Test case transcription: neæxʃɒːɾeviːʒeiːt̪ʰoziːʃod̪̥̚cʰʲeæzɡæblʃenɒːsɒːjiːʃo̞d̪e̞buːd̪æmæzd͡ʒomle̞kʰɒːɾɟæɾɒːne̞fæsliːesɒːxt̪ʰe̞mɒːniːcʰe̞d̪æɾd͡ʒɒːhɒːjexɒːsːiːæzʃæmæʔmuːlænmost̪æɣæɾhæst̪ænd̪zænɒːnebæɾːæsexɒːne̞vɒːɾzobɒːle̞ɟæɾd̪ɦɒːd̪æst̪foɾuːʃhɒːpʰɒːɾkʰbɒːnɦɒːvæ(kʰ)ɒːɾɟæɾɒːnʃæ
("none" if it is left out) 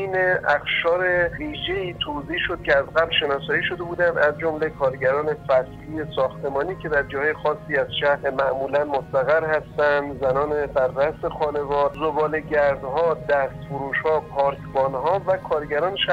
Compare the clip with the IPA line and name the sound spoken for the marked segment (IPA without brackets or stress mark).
kʰ